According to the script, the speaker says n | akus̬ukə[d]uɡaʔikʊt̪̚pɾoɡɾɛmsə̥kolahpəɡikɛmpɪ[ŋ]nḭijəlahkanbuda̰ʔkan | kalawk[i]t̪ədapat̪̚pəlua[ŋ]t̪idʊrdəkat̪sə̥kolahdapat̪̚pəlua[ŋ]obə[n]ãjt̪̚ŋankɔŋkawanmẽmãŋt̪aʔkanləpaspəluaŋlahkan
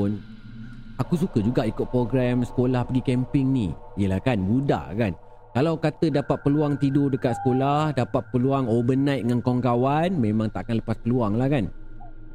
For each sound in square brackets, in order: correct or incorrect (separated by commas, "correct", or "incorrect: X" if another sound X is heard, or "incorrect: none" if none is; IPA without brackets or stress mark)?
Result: incorrect: d͡ʒ, correct, incorrect: a, correct, correct, correct